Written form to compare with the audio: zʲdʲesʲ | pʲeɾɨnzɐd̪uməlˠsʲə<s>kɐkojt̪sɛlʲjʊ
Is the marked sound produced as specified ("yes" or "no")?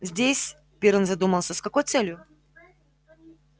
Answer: yes